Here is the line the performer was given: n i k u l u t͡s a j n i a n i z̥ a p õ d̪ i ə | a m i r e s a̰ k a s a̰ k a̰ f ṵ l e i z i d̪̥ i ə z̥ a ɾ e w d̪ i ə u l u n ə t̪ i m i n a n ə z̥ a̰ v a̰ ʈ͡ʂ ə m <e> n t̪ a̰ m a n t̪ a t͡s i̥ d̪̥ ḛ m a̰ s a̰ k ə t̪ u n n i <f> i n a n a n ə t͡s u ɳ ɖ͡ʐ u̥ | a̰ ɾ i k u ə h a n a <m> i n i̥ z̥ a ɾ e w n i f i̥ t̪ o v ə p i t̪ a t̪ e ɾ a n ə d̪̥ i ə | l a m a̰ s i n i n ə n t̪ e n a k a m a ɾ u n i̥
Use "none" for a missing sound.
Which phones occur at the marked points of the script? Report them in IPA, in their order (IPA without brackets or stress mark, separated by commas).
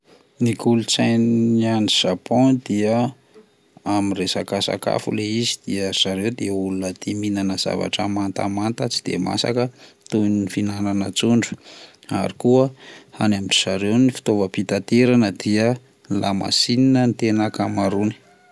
a, f, m